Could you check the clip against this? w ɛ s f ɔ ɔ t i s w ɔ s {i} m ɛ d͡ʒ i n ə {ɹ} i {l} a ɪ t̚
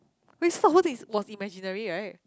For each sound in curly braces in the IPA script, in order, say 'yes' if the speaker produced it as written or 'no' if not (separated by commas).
yes, yes, no